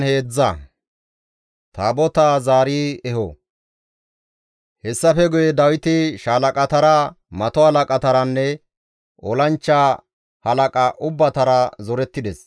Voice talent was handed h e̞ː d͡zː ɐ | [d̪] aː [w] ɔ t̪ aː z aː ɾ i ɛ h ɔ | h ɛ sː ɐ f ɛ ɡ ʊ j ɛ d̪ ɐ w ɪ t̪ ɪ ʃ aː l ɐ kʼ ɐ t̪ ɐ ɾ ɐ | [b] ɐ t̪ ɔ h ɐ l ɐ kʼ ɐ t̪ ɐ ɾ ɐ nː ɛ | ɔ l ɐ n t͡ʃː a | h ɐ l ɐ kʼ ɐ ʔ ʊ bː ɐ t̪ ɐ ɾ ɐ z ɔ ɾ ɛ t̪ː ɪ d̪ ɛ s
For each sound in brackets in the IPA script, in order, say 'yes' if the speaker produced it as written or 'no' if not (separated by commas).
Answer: no, no, no